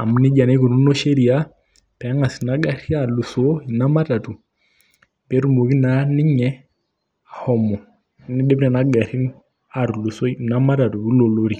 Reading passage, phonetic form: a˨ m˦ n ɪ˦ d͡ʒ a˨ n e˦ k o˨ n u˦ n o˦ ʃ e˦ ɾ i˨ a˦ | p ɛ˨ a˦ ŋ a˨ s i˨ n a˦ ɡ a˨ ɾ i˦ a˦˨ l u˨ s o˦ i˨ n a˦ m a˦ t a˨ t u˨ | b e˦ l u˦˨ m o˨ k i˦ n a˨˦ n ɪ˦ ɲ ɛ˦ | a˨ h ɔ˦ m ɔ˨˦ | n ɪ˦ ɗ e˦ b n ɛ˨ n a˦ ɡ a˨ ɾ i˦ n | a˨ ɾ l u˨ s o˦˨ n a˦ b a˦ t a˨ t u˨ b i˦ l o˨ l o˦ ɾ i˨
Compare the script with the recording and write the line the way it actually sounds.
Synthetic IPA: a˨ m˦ n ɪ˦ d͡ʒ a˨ n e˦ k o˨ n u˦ n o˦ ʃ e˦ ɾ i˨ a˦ | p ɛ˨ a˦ ŋ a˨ s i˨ n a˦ ɡ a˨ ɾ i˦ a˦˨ l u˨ s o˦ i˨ n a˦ m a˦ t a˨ t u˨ | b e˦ ɾ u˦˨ m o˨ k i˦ n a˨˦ n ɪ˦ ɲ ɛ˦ | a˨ h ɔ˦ m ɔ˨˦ | n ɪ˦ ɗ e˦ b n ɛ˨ n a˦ ɡ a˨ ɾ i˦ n | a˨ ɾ l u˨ s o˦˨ n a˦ m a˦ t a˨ t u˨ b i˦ l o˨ l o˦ ɾ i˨